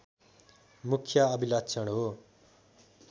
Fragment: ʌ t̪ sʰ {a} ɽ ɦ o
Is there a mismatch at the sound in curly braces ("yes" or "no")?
yes